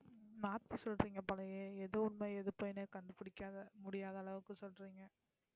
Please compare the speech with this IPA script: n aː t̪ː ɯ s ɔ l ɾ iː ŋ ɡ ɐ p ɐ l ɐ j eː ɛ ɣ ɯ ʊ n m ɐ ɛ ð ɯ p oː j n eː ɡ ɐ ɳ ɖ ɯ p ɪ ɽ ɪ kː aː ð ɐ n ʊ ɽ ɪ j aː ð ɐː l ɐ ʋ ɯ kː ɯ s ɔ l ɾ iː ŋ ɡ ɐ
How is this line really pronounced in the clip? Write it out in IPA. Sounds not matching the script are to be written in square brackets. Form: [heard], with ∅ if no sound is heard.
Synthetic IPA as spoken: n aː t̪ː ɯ s ɔ l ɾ iː ŋ ɡ ɐ p ɐ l ɐ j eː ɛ [ð] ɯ ʊ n m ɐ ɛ ð ɯ p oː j n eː [k] ɐ ɳ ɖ ɯ p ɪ ɽ ɪ kː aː ð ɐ [m] ʊ ɽ ɪ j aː ð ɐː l ɐ ʋ ɯ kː ɯ s ɔ l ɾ iː ŋ ɡ ɐ